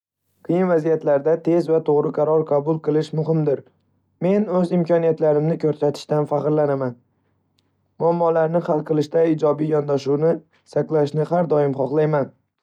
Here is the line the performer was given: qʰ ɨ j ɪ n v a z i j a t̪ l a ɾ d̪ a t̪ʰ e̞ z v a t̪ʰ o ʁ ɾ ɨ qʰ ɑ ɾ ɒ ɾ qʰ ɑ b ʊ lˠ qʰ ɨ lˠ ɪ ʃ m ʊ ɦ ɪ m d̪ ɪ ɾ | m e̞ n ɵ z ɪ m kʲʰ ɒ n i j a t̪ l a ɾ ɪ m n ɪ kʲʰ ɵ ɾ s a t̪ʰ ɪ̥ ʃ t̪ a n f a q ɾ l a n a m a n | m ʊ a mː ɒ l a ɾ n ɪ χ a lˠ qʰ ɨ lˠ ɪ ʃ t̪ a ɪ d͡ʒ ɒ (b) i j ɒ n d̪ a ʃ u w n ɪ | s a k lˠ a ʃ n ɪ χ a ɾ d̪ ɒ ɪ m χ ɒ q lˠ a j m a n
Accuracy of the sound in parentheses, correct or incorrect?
correct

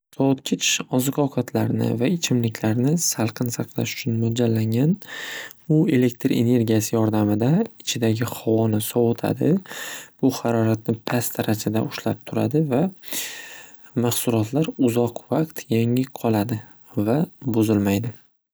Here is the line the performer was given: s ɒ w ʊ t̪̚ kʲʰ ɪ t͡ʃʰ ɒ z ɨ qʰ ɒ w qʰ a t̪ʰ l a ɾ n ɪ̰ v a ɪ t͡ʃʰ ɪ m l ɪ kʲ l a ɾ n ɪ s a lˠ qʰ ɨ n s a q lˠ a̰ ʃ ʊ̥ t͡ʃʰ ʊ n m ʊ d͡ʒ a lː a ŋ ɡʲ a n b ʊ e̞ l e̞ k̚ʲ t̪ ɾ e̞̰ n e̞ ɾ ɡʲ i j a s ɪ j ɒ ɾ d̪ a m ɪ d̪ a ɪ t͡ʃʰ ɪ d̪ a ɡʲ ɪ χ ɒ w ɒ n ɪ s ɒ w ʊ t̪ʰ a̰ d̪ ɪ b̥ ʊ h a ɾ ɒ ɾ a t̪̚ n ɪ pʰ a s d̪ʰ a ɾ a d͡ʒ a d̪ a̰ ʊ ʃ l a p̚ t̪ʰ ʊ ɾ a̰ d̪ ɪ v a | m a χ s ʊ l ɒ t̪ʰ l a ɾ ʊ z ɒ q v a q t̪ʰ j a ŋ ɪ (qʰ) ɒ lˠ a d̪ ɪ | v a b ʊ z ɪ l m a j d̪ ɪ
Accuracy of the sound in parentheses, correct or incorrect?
correct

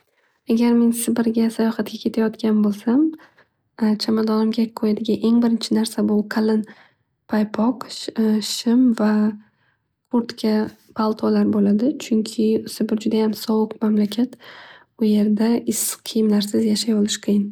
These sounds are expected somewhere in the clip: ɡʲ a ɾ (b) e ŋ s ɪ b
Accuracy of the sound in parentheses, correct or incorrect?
incorrect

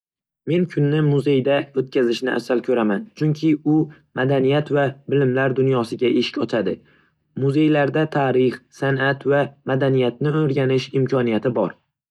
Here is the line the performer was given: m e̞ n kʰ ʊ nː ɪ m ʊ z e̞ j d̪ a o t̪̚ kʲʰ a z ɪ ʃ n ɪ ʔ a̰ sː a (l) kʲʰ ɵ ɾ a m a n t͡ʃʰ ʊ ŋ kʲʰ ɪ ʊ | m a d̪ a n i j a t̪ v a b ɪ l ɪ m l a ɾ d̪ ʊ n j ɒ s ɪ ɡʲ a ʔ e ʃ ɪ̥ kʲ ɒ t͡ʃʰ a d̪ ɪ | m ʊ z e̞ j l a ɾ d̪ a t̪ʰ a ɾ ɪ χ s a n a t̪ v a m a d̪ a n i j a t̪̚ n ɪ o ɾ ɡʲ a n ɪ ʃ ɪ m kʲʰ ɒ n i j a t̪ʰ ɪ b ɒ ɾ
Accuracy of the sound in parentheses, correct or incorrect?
correct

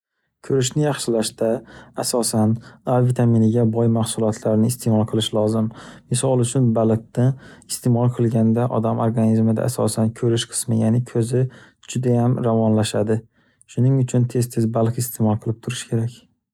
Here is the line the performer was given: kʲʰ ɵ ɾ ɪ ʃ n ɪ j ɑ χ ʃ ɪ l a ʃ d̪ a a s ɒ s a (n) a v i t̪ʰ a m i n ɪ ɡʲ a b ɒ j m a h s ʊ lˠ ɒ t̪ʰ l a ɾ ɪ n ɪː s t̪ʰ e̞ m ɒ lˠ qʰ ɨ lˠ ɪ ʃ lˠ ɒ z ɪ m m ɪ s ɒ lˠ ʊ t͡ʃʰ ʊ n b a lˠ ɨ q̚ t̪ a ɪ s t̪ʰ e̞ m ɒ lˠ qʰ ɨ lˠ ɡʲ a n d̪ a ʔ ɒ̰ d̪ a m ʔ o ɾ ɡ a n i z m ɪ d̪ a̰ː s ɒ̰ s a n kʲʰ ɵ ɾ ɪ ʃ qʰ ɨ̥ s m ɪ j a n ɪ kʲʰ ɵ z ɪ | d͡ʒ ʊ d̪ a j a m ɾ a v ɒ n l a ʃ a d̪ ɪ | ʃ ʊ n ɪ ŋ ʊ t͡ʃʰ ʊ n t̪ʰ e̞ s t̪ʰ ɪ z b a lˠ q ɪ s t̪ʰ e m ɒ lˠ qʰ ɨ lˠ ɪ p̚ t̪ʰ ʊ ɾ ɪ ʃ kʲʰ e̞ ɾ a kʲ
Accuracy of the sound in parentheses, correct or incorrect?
correct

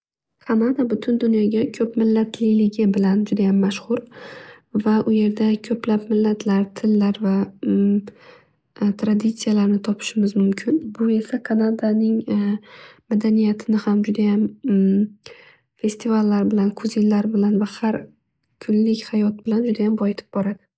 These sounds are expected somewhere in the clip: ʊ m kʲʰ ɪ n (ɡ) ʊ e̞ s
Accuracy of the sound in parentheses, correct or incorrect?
incorrect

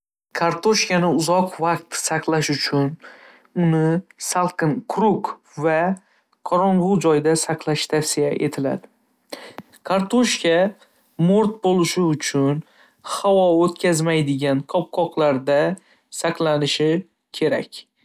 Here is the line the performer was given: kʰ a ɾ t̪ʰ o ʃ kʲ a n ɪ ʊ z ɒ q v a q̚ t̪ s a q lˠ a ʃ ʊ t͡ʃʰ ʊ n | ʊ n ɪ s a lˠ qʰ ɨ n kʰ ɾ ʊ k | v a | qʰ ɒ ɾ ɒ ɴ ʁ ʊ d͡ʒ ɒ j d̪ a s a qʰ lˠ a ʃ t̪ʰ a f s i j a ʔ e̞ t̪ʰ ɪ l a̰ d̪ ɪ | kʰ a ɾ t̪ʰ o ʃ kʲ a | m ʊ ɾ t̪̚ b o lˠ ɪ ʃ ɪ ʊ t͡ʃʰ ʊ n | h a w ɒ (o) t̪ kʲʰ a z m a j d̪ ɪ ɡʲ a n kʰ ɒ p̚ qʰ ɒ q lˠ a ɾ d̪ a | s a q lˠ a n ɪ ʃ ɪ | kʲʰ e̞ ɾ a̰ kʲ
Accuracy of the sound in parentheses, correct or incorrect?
correct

